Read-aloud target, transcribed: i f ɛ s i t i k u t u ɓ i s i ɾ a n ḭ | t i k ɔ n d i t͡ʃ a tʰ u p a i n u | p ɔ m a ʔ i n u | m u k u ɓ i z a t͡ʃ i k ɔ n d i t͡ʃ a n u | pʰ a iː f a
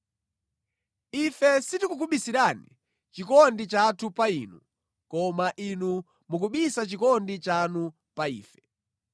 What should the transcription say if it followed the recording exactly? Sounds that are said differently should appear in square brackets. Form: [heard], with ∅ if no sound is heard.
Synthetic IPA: i f ɛ s i t i k u [k] u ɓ i s i ɾ a n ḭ | [t͡ʃ] i k ɔ n d i t͡ʃ a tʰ u p a i n u | [k] ɔ m a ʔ i n u | m u k u ɓ i [s] a t͡ʃ i k ɔ n d i t͡ʃ a n u | [p] a iː f [ɛ]